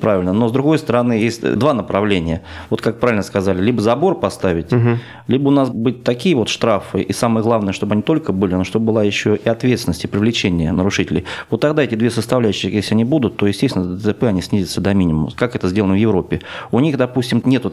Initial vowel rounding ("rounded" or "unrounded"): unrounded